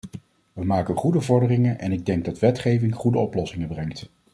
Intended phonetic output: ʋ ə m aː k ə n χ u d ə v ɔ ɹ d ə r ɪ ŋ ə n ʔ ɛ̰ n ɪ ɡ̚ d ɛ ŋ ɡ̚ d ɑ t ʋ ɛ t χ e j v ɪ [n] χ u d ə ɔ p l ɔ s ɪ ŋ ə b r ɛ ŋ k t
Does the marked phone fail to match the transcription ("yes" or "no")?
yes